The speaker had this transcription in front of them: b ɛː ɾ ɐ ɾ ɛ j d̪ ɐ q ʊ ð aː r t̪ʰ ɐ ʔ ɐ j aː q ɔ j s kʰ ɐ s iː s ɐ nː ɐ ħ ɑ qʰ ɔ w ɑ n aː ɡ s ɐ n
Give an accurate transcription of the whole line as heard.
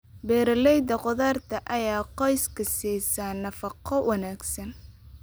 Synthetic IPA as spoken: b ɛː ɾ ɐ l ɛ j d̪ ɐ q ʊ ð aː r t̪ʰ ɐ ʔ ɐ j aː q ɔ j s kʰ ɐ s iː s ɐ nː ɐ f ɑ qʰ ɔ w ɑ n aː ɡ s ɐ n